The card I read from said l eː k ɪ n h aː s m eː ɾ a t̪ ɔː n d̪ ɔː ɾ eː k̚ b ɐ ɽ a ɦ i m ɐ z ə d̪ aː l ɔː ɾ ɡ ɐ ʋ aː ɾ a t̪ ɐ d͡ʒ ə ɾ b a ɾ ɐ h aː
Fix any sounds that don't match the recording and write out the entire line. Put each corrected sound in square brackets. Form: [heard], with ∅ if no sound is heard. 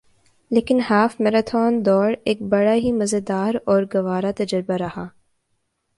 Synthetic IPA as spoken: l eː k ɪ n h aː [f] m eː ɾ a [t̪ʰ] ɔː n d̪ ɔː ɾ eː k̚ b ɐ ɽ a ɦ i m ɐ z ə d̪ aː [ɾ] ɔː ɾ ɡ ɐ ʋ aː ɾ a t̪ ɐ d͡ʒ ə ɾ b a ɾ ɐ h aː

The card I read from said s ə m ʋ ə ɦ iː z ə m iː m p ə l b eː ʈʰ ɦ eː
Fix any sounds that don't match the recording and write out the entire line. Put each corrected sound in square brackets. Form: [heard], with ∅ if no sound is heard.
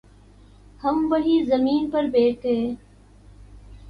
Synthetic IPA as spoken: [h] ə m ʋ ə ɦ iː z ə m iː [n] p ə [ɾ] b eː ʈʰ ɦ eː

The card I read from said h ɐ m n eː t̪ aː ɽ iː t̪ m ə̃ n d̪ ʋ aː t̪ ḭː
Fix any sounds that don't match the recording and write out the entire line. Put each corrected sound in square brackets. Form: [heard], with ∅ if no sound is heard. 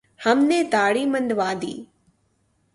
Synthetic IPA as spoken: h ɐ m n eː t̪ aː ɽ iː [∅] m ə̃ n d̪ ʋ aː [d̪] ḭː

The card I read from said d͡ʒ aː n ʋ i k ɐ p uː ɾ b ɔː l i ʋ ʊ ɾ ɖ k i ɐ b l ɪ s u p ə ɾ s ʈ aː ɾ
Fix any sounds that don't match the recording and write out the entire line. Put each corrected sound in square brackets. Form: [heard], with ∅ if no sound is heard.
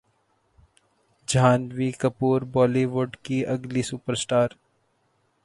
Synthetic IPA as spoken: d͡ʒ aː n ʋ i k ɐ p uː ɾ b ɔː l i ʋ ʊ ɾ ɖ k i ɐ [ɡ] l [i] s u p ə ɾ s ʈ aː ɾ

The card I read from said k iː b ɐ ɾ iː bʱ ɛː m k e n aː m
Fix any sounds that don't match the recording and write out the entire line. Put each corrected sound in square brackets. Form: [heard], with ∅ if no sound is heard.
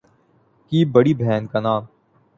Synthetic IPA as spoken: k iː b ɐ [ɽ] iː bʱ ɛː [n] k [a] n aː m

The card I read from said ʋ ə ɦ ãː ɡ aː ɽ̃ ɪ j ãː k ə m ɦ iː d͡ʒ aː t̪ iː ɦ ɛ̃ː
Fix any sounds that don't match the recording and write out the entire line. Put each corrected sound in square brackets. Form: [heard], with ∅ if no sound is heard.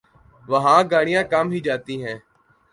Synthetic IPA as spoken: ʋ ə ɦ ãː ɡ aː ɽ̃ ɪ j ãː k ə m ɦ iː d͡ʒ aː t̪ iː ɦ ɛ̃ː

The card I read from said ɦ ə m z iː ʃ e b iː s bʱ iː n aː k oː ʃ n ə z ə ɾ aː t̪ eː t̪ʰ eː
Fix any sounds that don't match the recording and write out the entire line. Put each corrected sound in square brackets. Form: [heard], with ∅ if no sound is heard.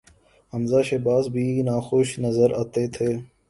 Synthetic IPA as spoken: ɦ ə m z [aː] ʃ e b [aː] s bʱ iː n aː [x] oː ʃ n ə z ə ɾ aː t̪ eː t̪ʰ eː

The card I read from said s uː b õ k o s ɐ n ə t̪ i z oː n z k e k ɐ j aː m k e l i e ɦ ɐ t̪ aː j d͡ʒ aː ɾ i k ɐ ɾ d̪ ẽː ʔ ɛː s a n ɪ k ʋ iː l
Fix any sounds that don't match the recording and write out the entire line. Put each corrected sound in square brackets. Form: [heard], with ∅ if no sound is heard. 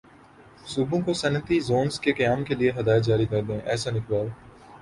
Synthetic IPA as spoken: s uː b õ k o s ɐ n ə t̪ i z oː n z k e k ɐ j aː m k e l i e ɦ ɐ [d̪] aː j d͡ʒ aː ɾ i k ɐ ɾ d̪ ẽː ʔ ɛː s a n ɪ k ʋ [aː] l

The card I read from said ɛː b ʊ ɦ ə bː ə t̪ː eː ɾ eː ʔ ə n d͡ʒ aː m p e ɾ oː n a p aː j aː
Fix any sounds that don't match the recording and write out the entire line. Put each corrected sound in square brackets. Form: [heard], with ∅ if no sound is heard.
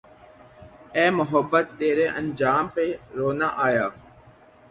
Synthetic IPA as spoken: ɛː [m] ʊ ɦ ə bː ə t̪ː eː ɾ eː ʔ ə n d͡ʒ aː m p e ɾ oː n a [ʔ] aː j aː

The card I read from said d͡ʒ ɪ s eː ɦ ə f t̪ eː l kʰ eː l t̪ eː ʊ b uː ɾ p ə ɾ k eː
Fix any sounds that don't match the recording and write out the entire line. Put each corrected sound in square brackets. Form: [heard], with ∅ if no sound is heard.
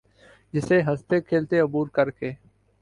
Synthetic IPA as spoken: d͡ʒ ɪ s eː ɦ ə [s] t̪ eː [∅] kʰ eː l t̪ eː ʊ b uː ɾ [k] ə ɾ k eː

